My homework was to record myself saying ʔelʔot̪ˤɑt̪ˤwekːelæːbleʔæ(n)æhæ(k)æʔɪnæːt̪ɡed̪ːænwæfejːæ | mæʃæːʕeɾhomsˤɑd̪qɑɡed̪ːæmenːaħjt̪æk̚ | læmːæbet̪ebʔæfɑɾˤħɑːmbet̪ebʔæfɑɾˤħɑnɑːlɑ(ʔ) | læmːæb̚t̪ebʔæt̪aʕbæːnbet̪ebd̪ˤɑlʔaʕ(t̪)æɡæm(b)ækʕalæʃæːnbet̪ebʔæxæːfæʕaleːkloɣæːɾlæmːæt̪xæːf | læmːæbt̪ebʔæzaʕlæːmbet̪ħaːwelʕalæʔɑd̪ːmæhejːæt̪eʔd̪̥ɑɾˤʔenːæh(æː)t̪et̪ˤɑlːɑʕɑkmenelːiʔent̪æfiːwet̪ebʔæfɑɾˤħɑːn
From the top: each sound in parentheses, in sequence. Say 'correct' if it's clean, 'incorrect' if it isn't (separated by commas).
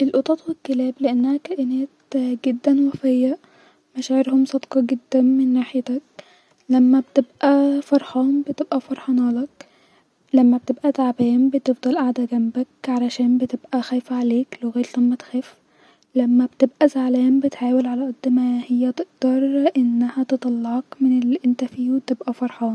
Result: incorrect, correct, incorrect, incorrect, correct, incorrect